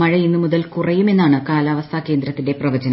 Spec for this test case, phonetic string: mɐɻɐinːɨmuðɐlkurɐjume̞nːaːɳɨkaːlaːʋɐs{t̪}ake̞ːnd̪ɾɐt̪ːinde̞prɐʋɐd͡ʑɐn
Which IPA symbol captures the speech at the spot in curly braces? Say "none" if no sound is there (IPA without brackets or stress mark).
t̪ʰ